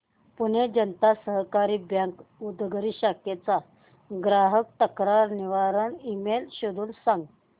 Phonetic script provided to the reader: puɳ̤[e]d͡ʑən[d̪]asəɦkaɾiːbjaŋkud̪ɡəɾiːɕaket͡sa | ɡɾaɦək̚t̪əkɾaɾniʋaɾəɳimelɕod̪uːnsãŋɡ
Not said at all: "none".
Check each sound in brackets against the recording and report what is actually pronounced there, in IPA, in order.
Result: e, t̪

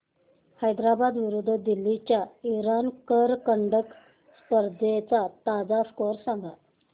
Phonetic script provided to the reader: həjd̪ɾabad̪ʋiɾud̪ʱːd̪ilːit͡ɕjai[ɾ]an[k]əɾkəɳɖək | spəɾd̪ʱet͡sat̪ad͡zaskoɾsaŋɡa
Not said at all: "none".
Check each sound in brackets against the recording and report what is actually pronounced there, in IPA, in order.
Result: ɾ, k

